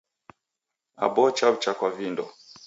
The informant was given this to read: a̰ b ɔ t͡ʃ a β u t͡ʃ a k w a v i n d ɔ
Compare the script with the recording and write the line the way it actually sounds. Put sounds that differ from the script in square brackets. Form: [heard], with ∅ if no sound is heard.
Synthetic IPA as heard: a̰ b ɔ t͡ʃ a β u t͡ʃ a k w a v i n d ɔ